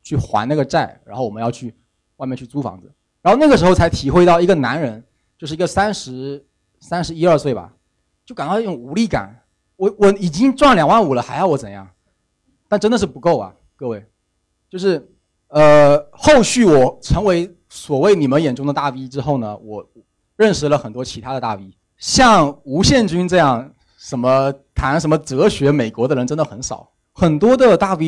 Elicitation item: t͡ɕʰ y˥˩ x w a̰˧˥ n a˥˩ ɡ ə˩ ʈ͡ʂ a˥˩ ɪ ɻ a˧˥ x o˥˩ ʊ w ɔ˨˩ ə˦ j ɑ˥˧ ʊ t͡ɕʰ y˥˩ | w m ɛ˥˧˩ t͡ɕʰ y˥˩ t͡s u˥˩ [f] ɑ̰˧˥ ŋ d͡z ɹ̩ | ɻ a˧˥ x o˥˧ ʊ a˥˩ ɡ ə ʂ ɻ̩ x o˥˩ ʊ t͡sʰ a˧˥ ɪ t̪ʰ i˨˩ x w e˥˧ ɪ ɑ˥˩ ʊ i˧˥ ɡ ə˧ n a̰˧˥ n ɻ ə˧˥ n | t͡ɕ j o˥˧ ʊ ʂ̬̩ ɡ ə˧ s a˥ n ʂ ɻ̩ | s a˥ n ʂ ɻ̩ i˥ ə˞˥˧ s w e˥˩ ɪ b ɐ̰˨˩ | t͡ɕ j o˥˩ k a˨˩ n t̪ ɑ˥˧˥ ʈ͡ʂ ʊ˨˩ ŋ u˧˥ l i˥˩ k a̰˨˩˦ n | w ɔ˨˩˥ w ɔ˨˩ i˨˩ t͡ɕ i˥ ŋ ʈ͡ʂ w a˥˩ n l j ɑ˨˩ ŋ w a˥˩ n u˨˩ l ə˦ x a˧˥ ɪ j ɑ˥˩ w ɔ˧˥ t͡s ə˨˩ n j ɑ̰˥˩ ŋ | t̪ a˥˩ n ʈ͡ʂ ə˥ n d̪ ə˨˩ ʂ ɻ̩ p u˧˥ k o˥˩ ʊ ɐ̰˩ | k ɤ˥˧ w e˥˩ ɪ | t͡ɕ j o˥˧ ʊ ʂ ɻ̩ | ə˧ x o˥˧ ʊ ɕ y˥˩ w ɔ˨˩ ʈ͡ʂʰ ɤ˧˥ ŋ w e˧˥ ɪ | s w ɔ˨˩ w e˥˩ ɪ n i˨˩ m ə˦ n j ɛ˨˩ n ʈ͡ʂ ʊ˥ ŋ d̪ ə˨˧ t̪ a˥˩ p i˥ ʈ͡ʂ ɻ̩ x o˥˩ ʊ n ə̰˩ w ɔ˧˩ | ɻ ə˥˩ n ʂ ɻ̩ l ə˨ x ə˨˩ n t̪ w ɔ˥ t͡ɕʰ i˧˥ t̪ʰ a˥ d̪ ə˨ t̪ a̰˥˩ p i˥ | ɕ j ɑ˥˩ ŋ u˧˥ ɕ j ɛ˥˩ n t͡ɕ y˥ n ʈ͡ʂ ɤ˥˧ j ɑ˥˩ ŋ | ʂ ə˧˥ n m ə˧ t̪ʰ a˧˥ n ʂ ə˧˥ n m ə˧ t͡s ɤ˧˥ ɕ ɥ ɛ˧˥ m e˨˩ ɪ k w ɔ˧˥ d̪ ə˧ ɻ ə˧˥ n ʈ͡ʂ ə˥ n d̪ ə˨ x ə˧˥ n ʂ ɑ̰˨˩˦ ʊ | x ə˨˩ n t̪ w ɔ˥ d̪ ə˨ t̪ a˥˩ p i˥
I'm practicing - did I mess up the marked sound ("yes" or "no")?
no